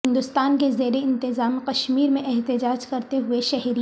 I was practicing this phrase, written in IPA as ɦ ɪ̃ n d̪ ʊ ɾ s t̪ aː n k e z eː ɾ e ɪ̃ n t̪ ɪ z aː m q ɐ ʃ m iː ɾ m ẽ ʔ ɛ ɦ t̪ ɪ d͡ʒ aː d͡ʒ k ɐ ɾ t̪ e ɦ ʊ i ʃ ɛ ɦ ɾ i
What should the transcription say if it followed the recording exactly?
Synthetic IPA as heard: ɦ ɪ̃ n d̪ ʊ s t̪ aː n k e z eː ɾ e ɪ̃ n t̪ ɪ z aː m q ɐ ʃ m iː ɾ m ẽ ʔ ɛ ɦ t̪ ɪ d͡ʒ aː d͡ʒ k ɐ ɾ t̪ e ɦ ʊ e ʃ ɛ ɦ ɾ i